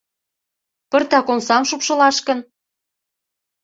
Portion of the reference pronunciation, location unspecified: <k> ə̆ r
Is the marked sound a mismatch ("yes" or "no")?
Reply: yes